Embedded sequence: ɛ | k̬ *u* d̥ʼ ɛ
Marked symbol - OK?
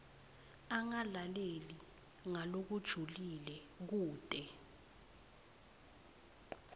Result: no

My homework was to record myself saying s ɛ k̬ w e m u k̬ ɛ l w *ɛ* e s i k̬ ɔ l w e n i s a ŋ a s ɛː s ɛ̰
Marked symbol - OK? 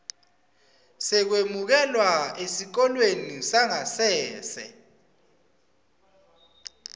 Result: no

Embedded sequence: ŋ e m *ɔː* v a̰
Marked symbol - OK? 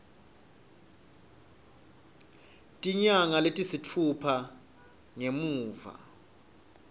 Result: no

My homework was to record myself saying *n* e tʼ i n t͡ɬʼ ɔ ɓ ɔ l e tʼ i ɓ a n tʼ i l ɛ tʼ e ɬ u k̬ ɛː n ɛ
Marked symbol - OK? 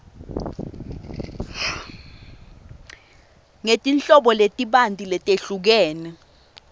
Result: no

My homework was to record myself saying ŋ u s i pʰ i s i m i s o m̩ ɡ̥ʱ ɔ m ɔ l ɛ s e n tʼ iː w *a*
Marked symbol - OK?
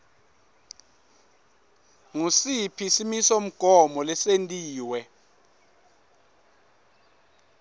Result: no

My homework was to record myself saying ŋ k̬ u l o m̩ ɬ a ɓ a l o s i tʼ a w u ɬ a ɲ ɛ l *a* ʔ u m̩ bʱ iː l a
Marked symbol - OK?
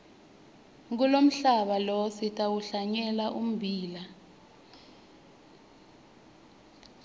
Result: yes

